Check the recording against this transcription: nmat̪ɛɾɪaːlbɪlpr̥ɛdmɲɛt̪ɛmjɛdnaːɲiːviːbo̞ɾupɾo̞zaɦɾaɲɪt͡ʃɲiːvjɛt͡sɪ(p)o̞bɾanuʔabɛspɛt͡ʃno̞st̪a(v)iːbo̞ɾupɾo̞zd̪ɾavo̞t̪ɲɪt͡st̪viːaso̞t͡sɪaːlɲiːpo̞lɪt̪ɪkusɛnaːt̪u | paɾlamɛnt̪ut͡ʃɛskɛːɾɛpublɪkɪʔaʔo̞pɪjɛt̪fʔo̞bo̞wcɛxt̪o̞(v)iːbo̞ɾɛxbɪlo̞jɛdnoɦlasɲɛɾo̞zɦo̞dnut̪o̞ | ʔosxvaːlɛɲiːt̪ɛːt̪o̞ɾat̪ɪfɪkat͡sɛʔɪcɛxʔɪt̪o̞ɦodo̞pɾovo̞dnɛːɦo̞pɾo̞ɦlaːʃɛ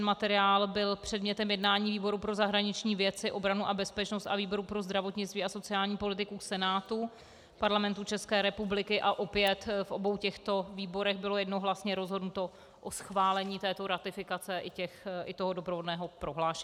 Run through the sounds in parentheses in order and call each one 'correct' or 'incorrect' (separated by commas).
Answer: incorrect, correct, correct